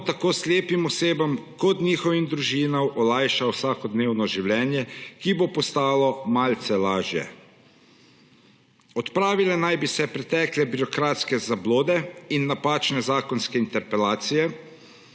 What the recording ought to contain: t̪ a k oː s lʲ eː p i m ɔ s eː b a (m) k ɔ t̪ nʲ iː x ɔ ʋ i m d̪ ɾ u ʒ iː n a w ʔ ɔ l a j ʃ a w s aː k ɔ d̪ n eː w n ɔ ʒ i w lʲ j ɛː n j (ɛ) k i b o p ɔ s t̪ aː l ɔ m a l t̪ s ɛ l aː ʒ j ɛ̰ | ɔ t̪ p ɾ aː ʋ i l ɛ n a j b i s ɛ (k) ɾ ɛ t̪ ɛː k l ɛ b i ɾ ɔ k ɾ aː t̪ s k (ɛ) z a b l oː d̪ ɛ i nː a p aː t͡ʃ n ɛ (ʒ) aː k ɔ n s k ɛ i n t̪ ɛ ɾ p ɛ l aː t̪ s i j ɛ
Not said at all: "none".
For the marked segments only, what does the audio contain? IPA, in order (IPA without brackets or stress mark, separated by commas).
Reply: m, ɛ, p, ɛ, z